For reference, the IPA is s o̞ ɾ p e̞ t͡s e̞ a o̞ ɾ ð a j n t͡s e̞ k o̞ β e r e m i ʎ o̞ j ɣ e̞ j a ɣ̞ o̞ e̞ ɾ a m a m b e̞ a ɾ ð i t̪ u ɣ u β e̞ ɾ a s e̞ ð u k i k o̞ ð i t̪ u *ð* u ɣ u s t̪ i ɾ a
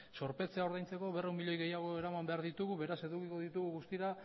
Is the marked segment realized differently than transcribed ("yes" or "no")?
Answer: yes